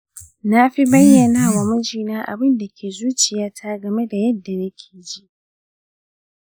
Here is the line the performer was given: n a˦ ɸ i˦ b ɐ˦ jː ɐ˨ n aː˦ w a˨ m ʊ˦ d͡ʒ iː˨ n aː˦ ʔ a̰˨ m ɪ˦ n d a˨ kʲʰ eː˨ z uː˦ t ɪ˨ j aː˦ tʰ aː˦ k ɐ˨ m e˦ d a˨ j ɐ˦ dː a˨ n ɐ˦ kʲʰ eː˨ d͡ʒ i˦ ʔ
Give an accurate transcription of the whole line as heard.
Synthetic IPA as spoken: n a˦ ɸ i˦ b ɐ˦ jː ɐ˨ n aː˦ w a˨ m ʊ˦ d͡ʒ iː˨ n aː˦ ʔ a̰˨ b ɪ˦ n d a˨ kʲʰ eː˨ z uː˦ t͡ʃ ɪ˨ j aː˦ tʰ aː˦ ɡ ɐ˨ m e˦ d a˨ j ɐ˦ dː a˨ n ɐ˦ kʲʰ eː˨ d͡ʒ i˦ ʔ